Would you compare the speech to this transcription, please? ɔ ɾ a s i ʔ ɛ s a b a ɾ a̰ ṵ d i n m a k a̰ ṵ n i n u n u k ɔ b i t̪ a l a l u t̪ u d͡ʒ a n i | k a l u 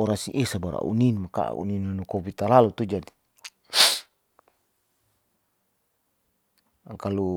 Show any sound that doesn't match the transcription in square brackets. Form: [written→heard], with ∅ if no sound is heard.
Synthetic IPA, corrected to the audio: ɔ ɾ a s i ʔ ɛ s a b a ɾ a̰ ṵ [d→n] i n m a k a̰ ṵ n i n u n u k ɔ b i t̪ a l a l u t̪ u d͡ʒ a [n→d] i | k a l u